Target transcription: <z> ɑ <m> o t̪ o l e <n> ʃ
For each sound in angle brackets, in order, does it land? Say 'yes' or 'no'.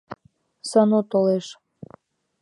no, no, no

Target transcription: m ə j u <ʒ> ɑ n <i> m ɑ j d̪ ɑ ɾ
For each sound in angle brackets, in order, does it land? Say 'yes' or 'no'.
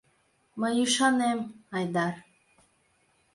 no, no

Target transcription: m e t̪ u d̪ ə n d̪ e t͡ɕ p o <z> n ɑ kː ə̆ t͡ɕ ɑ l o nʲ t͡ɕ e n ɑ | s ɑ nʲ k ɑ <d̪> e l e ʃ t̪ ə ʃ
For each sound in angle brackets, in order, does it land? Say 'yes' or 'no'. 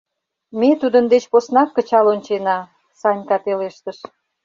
no, no

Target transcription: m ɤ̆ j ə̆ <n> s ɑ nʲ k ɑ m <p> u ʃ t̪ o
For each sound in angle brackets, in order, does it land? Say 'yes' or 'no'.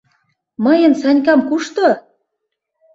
yes, no

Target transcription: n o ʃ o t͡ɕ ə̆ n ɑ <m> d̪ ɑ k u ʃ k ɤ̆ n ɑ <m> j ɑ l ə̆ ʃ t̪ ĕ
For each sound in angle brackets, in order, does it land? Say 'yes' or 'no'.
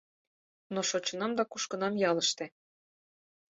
yes, yes

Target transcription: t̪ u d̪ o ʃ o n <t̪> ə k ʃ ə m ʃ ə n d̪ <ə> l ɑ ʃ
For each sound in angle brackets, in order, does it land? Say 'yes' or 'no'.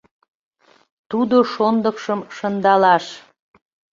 no, no

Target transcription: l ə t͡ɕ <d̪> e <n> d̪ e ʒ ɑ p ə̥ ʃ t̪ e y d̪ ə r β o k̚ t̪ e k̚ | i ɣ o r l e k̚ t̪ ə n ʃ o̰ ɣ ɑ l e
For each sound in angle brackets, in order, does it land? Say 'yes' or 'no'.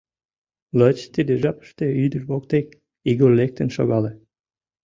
no, no

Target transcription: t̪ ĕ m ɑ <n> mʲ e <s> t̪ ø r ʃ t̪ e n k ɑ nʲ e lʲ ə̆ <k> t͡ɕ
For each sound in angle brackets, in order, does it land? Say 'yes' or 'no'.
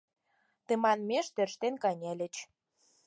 yes, no, no

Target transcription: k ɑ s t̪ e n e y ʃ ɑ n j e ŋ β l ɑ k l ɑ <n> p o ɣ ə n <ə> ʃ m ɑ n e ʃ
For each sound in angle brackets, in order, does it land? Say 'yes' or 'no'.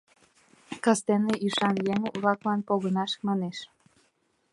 yes, no

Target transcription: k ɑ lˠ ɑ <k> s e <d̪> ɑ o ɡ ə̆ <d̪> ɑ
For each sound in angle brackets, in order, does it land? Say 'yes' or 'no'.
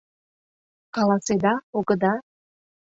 no, yes, yes

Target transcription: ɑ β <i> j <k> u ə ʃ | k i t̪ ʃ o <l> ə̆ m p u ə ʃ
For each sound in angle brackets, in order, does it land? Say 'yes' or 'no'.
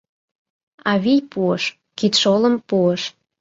yes, no, yes

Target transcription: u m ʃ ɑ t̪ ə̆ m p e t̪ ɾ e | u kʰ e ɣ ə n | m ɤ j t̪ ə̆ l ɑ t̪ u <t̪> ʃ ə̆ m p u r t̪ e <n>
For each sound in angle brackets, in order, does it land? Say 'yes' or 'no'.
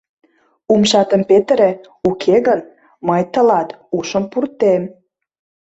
no, no

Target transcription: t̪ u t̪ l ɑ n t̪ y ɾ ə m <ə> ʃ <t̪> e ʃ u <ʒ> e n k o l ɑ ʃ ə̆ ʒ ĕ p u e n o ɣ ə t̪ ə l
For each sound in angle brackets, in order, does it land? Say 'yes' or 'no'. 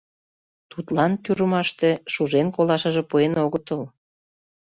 no, yes, yes

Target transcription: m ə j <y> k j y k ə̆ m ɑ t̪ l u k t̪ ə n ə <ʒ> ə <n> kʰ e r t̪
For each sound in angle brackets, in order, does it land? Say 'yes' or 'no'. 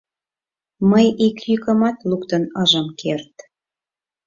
no, yes, no

